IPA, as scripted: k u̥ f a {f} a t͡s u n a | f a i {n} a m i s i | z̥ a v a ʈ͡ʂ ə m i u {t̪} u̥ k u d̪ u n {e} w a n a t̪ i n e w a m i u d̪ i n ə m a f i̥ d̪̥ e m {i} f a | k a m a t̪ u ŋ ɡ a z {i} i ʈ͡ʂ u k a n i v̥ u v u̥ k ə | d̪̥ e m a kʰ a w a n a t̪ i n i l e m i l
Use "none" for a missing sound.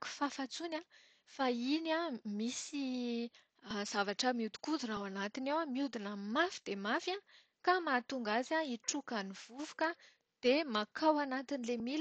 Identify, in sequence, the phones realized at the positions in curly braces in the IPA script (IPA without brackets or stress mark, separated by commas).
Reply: f, n, d̪, a, a, a